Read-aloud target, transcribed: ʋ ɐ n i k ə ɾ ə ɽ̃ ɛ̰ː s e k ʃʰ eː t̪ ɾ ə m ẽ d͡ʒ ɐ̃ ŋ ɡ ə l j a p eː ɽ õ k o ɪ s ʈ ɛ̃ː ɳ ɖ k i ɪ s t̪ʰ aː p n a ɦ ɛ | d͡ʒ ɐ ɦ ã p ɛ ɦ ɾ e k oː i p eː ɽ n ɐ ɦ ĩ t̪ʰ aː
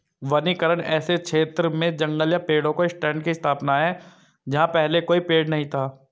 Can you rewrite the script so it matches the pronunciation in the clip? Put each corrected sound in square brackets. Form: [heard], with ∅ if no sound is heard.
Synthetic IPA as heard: ʋ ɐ n i k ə ɾ ə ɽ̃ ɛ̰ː s e k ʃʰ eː t̪ ɾ ə m ẽ d͡ʒ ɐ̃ ŋ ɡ ə l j a p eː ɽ õ k o ɪ s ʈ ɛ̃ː ɳ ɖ k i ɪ s t̪ʰ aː p n a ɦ ɛ | d͡ʒ ɐ ɦ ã p ɛ ɦ [l] e k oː i p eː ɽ n ɐ ɦ ĩ t̪ʰ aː